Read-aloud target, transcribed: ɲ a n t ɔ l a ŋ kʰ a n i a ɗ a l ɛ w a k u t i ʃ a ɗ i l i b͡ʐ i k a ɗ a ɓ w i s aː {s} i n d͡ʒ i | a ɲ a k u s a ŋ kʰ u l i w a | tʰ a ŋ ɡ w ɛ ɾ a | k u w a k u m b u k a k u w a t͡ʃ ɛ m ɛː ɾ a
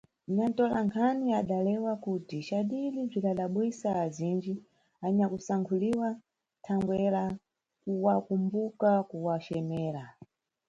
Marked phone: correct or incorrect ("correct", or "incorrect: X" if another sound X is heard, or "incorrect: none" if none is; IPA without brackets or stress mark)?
incorrect: z